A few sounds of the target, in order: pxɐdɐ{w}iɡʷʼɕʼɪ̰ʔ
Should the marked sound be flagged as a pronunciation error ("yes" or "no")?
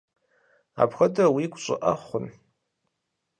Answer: no